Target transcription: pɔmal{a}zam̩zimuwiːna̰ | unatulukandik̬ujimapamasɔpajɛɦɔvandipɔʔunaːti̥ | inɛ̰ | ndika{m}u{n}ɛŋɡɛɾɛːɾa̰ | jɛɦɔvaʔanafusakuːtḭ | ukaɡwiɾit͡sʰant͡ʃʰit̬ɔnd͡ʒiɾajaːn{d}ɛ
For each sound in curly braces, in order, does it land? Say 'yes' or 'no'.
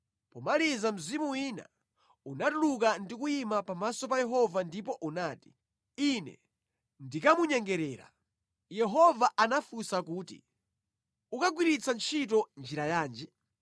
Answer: no, yes, no, no

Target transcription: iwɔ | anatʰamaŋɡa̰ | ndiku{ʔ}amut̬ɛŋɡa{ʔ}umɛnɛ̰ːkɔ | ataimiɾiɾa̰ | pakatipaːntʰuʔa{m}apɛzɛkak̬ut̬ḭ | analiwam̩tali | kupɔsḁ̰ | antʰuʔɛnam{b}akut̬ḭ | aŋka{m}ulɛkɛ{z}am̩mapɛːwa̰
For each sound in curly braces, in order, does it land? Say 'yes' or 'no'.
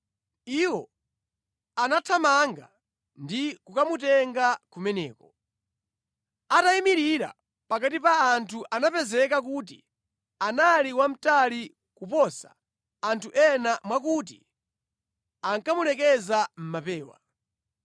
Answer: no, no, no, no, yes, yes

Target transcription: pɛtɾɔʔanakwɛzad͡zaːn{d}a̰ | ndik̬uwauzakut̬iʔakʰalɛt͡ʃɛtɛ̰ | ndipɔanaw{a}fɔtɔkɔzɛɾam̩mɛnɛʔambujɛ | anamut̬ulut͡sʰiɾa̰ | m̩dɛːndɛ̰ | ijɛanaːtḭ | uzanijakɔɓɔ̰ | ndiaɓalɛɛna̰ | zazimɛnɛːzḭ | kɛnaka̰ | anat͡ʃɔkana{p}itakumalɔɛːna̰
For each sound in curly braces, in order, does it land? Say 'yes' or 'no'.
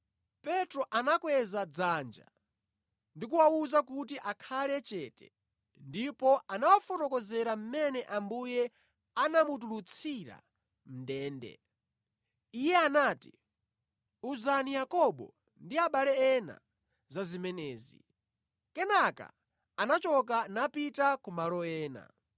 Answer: no, yes, yes

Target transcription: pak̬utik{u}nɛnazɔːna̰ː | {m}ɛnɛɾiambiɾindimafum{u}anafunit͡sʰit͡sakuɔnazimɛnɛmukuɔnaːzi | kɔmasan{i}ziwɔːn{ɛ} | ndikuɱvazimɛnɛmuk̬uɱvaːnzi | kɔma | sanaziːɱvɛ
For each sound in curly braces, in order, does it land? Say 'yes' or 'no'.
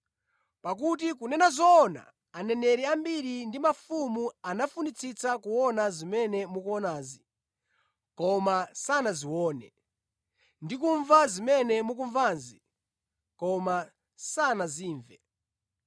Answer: yes, no, yes, no, yes

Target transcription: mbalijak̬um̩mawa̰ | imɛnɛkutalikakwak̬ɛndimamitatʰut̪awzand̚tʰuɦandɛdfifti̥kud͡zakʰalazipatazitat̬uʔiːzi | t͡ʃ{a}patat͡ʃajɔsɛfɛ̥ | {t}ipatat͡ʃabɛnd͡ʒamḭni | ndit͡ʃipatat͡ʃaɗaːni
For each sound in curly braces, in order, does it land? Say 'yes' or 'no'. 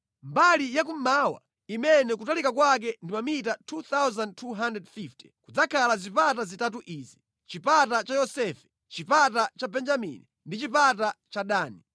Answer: no, no

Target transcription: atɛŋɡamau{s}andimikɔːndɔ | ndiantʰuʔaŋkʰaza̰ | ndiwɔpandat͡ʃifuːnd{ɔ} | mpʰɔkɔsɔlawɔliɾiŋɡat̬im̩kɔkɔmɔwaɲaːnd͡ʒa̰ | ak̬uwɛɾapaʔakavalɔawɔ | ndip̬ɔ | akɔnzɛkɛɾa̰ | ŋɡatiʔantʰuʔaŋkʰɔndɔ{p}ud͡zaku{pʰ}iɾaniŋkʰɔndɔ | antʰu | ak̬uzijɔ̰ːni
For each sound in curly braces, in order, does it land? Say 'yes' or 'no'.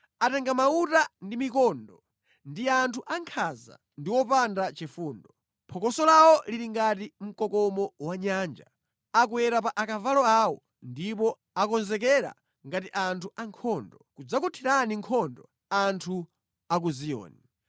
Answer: no, yes, no, no

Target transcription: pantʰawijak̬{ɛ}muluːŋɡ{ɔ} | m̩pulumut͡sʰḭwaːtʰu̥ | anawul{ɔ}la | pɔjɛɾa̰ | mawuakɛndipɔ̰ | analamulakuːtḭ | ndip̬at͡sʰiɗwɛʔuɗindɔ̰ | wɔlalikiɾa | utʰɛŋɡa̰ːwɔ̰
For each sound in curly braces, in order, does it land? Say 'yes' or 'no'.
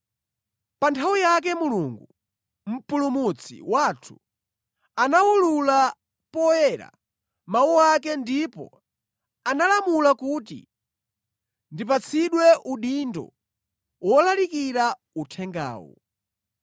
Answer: yes, no, no

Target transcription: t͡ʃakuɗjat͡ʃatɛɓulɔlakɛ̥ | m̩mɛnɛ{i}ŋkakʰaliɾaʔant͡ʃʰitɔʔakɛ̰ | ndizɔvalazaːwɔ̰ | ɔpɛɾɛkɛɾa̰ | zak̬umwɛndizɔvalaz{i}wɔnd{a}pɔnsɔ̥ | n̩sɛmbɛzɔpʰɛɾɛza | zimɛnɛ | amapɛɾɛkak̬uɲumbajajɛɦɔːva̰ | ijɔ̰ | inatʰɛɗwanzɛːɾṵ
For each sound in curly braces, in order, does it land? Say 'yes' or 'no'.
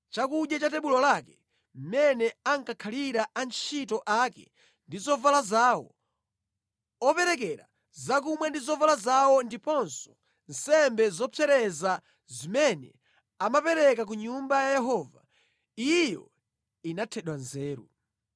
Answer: no, no, no

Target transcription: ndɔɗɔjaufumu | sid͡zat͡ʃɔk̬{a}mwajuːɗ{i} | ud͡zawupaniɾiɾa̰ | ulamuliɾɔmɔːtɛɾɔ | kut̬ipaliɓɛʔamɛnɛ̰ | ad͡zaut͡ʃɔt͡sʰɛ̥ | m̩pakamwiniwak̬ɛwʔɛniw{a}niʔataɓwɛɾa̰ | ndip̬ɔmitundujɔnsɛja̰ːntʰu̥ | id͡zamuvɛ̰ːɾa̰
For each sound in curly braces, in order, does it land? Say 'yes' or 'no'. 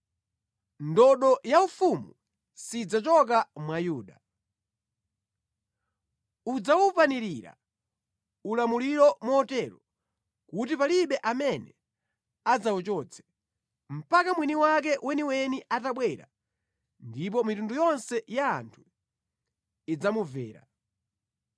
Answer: yes, no, no

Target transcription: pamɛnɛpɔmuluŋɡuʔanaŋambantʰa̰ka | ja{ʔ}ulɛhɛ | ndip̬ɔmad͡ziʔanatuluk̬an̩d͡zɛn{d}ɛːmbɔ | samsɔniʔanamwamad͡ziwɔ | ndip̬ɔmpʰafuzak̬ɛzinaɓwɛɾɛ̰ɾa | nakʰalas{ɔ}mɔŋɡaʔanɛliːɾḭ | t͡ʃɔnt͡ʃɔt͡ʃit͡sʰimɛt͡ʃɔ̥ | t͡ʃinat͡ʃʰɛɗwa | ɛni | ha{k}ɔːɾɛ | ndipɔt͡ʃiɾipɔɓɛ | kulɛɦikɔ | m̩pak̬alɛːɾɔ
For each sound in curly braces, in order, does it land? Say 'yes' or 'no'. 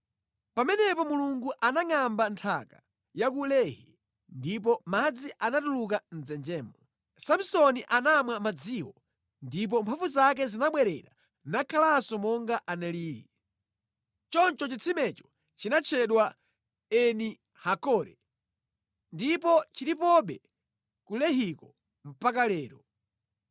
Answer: no, no, yes, yes

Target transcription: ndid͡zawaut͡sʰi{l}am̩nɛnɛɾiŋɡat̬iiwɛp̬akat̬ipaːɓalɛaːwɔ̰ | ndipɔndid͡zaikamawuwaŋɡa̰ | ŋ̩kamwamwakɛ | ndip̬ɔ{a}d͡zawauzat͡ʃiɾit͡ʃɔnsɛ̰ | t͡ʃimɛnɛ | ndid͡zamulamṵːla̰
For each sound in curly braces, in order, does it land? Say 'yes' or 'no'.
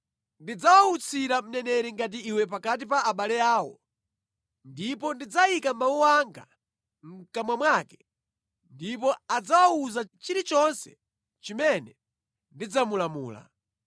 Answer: no, yes

